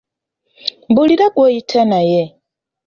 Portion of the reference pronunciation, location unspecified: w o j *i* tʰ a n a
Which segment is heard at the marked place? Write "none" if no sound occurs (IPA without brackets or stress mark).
i